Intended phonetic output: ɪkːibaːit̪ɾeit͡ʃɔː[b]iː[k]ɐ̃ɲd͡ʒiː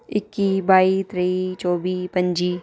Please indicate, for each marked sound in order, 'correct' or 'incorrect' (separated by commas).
correct, incorrect